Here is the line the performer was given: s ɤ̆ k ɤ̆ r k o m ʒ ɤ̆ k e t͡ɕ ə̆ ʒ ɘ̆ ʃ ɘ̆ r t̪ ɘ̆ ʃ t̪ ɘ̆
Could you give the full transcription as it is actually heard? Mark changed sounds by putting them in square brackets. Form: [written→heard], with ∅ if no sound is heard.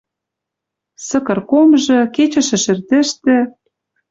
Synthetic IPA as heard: s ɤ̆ k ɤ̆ r k o m ʒ ɤ̆ k e t͡ɕ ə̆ [ʒ→ʃ] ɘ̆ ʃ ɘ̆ r t̪ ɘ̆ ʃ t̪ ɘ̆